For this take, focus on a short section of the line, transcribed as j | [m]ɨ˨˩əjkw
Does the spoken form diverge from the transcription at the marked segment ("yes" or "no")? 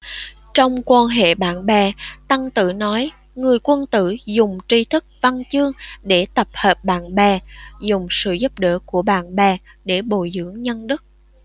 yes